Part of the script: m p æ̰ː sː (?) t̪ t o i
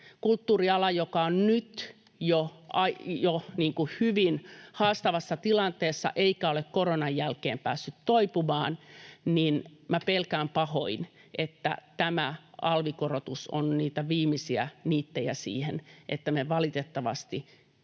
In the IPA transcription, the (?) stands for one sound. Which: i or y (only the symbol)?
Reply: y